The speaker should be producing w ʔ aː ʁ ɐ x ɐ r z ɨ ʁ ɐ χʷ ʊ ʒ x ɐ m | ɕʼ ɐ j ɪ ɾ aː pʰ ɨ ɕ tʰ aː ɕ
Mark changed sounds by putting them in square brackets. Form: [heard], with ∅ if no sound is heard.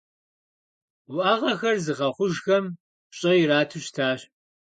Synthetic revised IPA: w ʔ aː ʁ ɐ x ɐ r z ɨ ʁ ɐ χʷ ʊ ʒ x ɐ m | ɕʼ ɐ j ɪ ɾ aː [tʰ] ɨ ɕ tʰ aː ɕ

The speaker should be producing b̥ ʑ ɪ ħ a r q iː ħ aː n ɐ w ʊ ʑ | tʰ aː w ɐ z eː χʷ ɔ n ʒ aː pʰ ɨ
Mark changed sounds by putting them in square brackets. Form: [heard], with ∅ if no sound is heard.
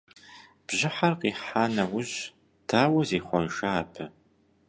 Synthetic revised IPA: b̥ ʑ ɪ ħ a r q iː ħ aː n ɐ w ʊ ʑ | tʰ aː w ɐ z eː χʷ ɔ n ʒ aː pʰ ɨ

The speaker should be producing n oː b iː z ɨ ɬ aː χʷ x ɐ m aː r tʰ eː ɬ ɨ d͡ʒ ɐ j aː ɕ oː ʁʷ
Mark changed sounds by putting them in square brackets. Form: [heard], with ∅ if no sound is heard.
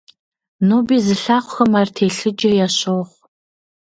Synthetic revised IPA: n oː b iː z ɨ ɬ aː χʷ x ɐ m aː r tʰ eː ɬ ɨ d͡ʒ ɐ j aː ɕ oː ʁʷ

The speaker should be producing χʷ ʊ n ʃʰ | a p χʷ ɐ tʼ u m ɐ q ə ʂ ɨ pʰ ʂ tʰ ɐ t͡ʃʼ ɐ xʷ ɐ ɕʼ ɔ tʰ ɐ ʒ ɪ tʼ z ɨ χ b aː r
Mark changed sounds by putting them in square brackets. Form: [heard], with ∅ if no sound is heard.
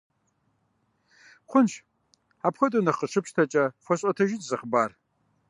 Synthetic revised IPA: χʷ ʊ n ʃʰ | a p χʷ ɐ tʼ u [n] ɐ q ə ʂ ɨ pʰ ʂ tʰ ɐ t͡ʃʼ ɐ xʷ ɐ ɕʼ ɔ tʰ ɐ ʒ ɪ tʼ z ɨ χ b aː r

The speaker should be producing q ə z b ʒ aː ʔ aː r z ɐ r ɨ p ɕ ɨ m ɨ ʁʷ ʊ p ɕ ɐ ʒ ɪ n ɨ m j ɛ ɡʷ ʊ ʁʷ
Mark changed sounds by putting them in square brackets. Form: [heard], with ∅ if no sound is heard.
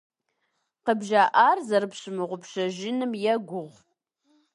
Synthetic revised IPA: q ə [∅] b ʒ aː ʔ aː r z ɐ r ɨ p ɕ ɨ m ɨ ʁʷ ʊ p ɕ ɐ ʒ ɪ n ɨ m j ɛ ɡʷ ʊ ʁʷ

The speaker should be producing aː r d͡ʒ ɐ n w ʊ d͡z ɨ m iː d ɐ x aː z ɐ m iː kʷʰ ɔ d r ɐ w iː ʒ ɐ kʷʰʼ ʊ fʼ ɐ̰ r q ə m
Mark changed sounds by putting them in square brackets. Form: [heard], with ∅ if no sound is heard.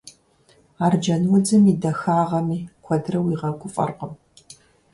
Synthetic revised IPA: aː r d͡ʒ ɐ n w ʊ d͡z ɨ m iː d ɐ x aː [ʁ] ɐ m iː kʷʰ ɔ d r ɐ w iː [ʁ] ɐ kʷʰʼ ʊ fʼ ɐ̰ r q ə m

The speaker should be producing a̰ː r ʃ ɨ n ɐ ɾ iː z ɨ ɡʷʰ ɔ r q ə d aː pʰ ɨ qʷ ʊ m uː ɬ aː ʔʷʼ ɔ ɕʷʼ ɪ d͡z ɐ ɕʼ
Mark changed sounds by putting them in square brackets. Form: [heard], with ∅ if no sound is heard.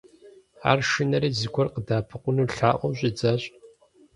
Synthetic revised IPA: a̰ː r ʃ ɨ n ɐ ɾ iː z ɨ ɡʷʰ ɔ r q ə d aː pʰ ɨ qʷ ʊ [n] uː ɬ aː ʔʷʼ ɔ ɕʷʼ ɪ d͡z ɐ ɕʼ

